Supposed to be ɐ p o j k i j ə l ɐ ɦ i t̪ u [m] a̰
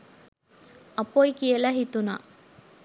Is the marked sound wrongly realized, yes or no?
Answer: yes